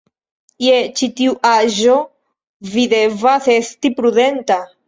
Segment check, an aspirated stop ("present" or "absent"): absent